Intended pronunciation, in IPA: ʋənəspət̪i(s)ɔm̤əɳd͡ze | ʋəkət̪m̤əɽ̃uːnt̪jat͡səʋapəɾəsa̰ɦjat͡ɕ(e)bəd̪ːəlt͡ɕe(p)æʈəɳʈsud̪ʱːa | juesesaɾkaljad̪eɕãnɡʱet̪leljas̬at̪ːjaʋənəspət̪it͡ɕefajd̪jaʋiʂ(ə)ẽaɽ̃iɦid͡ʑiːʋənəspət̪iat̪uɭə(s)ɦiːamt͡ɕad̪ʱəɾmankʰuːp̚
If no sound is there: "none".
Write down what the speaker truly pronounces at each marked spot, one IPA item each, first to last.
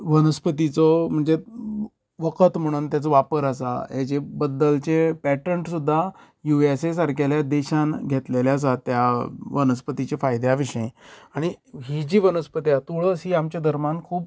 t͡s, e, p, ə, s

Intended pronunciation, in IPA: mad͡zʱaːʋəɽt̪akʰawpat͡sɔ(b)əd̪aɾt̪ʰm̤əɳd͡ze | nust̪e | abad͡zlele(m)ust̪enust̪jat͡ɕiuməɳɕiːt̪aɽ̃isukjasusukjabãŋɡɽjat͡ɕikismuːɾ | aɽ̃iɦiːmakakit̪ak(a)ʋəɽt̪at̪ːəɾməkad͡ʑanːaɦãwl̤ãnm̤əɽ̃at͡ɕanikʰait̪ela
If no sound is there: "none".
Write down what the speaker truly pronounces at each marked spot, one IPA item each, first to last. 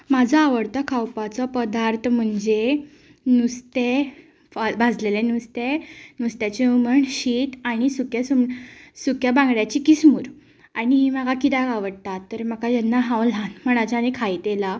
p, n, a

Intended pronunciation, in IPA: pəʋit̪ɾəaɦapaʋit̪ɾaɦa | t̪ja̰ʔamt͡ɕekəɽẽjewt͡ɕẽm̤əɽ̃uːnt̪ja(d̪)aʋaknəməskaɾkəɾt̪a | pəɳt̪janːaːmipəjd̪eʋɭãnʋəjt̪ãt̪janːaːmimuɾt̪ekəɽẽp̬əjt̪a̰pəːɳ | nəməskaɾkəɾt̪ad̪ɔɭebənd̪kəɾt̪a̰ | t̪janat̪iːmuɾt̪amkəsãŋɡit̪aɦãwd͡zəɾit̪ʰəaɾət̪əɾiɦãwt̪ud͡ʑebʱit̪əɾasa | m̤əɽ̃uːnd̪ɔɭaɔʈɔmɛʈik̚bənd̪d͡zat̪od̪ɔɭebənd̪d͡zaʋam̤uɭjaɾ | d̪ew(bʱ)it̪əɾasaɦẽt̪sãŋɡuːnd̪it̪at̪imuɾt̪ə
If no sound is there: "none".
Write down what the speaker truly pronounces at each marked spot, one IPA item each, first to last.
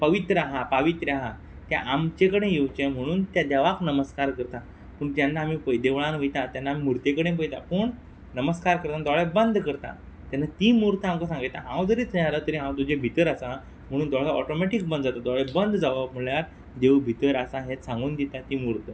d̪, bʱ

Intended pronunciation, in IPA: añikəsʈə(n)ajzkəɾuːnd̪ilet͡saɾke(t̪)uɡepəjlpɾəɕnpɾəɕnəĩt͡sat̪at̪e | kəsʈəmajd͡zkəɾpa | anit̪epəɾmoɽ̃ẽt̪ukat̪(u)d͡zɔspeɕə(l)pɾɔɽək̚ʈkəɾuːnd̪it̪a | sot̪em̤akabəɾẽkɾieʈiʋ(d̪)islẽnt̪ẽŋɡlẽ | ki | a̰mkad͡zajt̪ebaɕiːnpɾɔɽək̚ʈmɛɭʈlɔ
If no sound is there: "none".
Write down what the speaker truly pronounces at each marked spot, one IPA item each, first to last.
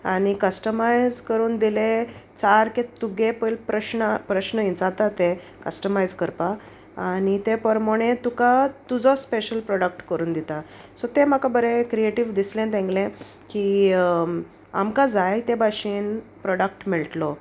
m, t̪, u, l, d̪

